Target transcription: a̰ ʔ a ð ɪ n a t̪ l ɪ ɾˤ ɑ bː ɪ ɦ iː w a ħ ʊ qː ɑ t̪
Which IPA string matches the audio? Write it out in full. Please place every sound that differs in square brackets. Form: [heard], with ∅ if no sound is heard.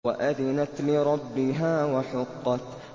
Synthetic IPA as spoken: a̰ ʔ a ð ɪ n a t̪ l ɪ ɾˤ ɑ bː ɪ ɦ [aː] w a ħ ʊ qː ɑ t̪